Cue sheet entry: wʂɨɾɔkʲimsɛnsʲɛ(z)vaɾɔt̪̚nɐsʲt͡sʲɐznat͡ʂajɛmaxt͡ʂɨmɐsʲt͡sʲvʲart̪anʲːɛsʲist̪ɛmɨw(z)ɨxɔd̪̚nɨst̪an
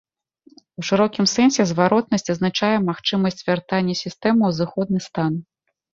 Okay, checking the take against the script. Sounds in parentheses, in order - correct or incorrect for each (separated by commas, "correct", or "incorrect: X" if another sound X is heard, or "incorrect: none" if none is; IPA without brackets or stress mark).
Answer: correct, correct